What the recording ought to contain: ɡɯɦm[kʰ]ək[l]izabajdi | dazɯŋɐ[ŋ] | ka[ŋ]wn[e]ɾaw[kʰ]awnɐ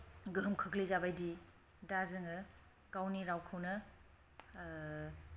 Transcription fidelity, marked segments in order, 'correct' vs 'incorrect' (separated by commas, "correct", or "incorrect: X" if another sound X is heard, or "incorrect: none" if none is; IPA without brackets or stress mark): correct, correct, incorrect: none, incorrect: none, incorrect: i, correct